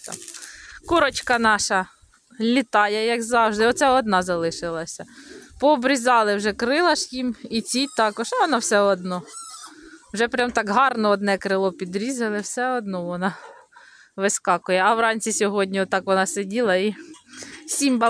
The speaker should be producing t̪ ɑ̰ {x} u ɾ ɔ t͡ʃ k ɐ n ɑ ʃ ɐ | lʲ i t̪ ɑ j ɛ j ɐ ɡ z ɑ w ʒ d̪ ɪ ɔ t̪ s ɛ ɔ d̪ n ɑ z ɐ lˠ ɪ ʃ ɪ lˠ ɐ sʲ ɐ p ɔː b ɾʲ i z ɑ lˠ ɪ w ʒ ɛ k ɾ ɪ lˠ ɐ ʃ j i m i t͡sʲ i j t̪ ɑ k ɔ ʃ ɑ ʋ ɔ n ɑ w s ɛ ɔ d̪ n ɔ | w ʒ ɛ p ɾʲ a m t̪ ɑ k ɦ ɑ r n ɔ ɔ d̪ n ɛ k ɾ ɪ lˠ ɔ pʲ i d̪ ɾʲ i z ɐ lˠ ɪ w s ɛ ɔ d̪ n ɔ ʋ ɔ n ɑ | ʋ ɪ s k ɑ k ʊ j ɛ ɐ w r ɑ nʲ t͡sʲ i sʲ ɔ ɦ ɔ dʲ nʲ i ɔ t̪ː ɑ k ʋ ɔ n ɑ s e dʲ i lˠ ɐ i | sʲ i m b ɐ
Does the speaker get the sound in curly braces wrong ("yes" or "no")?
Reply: yes